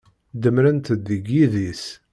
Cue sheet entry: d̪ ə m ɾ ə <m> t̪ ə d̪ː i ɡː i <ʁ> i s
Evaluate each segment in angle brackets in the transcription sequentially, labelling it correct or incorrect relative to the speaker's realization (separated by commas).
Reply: incorrect, incorrect